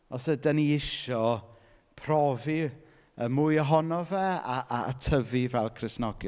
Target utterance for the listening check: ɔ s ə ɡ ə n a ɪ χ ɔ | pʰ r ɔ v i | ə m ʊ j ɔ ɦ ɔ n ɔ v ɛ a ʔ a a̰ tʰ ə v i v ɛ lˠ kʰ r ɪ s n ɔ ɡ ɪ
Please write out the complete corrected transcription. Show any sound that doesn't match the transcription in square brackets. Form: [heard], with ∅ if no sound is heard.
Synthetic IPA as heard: ɔ s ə [d] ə n [i] ɪ [ʃ] ɔ | pʰ r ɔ v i | ə m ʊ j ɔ ɦ ɔ n ɔ v ɛ a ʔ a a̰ tʰ ə v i v ɛ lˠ kʰ r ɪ s n ɔ ɡ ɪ